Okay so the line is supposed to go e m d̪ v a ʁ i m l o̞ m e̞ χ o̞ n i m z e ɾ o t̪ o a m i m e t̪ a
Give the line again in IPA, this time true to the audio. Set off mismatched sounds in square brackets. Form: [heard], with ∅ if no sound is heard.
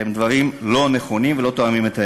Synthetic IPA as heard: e m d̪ v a ʁ i m l o̞ [n] e̞ χ o̞ n i m [v] e [l] o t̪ o a m i m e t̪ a